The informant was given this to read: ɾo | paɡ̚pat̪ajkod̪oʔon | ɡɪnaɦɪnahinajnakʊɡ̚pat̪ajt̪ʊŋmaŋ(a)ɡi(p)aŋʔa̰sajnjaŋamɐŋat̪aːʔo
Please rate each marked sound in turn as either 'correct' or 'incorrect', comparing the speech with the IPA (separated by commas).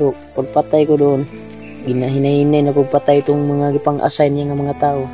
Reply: correct, correct